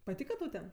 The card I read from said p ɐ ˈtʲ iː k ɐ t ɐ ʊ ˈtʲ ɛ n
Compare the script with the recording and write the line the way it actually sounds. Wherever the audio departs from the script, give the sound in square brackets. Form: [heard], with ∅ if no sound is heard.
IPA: p ɐ ˈtʲ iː k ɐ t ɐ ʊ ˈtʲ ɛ n